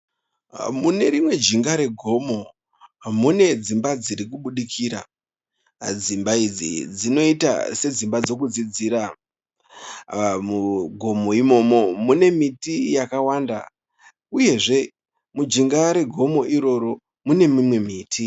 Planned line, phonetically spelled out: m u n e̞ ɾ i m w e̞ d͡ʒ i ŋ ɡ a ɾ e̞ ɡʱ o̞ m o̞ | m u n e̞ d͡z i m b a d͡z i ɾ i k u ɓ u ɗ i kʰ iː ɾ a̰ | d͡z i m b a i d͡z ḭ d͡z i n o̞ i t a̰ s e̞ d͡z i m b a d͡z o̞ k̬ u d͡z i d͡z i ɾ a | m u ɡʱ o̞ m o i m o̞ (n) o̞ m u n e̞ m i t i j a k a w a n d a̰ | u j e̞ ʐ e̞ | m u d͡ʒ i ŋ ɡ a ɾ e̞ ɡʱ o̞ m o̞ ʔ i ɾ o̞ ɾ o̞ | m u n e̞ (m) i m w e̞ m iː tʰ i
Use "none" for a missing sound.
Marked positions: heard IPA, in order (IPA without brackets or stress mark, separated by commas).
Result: m, m